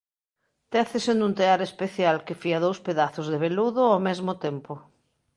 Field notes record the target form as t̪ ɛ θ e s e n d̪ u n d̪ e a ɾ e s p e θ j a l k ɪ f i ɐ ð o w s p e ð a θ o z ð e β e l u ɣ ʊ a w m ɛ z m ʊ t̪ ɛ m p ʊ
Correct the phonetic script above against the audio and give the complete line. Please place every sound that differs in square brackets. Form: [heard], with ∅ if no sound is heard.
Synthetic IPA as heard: t̪ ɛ θ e s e n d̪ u n [t̪] e a ɾ e s p e θ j a l k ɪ f i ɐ ð o w s p e ð a θ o z ð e β e l u [ð] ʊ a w m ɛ z m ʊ t̪ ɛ m p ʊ

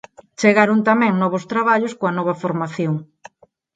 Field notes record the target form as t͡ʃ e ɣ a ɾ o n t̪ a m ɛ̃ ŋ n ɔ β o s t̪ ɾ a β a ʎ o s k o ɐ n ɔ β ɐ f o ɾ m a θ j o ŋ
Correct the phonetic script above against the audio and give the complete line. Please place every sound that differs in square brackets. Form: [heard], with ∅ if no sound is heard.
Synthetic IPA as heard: t͡ʃ e ɣ a ɾ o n t̪ a m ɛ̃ ŋ n ɔ β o s t̪ ɾ a β a ʎ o s k o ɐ n ɔ β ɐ f o ɾ m a θ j o ŋ

